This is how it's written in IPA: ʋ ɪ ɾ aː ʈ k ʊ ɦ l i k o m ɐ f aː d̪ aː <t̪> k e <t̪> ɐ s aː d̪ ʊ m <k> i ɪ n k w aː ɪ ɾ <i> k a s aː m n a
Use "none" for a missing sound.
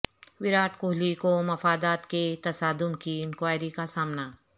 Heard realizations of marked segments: t̪, t̪, k, i

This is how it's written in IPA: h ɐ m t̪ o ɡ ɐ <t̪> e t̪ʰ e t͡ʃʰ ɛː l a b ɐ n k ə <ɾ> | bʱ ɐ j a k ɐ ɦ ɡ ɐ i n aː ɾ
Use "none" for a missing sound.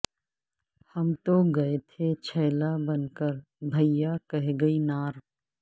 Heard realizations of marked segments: none, ɾ

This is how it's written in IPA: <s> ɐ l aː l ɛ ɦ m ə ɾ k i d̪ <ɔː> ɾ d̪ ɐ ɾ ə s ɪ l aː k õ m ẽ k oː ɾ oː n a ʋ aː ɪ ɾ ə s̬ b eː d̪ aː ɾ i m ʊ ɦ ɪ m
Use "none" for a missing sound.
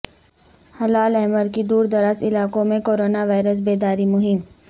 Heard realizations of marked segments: h, uː

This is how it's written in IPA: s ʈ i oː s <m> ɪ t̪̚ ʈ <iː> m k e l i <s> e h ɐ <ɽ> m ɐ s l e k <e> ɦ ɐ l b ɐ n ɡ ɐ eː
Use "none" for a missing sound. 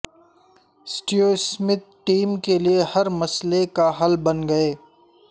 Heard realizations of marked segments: m, iː, none, ɾ, a

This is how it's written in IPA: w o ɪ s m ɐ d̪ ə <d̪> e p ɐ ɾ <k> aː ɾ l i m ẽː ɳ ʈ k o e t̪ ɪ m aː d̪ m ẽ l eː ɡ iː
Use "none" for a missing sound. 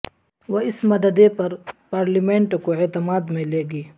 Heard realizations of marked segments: d̪, p

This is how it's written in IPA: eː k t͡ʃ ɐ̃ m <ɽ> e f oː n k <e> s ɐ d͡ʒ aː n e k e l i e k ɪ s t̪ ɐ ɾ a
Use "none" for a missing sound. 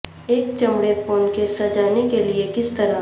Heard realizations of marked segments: ɽ, e

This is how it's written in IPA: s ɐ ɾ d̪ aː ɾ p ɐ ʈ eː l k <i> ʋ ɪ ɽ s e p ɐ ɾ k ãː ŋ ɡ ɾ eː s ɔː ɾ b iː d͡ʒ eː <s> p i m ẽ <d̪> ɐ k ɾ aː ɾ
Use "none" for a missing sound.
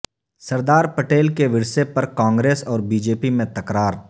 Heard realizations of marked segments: e, none, t̪

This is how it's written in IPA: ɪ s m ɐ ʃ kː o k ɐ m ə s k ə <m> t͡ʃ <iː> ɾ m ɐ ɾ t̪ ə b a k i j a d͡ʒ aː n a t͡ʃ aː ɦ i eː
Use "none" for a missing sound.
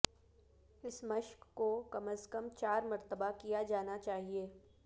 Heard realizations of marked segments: m, aː

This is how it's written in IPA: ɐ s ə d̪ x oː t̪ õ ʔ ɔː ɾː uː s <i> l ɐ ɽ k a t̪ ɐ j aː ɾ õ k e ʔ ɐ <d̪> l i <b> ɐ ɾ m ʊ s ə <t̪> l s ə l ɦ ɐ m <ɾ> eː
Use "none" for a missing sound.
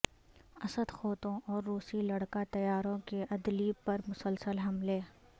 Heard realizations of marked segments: i, d̪, p, none, l

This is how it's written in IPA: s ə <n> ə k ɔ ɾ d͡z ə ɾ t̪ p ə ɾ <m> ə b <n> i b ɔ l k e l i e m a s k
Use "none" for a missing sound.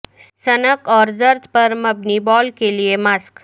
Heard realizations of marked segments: n, m, n

